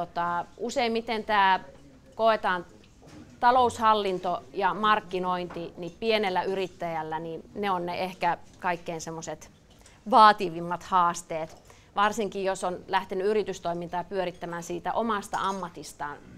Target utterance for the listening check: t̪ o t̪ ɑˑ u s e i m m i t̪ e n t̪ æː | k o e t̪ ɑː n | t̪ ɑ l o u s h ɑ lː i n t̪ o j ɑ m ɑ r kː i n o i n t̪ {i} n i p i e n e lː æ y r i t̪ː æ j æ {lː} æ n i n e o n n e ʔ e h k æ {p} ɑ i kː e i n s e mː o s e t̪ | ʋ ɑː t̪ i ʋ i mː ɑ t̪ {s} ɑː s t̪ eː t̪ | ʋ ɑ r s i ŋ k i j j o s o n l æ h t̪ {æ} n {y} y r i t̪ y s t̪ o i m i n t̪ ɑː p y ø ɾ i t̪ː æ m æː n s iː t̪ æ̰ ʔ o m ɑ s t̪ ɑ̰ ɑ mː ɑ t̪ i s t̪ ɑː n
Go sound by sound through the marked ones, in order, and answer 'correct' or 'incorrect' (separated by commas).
correct, correct, incorrect, incorrect, incorrect, correct